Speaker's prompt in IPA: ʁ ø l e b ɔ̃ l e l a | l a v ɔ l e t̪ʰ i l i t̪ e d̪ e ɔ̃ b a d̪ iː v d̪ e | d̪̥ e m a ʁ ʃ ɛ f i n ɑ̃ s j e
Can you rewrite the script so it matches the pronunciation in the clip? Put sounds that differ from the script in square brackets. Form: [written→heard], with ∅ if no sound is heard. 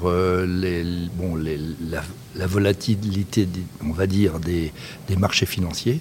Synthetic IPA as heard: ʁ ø l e b ɔ̃ l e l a | l a v ɔ l [e→a] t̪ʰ i l i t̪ e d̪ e ɔ̃ [b→v] a d̪ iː [v→ʁ] d̪ e | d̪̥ e m a ʁ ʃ [ɛ→e] f i n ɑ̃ s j e